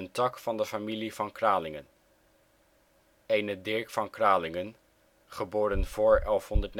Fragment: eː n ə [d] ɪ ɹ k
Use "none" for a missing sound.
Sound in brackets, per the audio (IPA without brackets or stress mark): d